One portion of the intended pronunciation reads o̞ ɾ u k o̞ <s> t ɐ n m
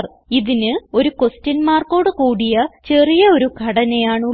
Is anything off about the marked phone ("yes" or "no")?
no